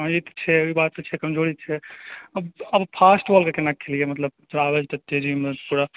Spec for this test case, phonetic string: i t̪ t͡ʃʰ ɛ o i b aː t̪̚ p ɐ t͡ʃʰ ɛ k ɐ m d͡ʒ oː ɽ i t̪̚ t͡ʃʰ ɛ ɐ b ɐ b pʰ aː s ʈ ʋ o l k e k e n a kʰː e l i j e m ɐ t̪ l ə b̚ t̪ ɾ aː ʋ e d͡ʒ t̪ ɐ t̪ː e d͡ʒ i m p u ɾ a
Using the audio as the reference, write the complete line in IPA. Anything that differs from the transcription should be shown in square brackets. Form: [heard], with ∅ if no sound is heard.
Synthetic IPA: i t̪ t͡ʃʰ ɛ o i b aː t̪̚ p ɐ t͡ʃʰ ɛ k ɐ m d͡ʒ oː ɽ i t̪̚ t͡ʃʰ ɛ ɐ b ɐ b pʰ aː s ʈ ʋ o l k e k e n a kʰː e l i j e m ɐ t̪ l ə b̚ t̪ ɾ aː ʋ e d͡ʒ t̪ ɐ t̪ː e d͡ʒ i m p u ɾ a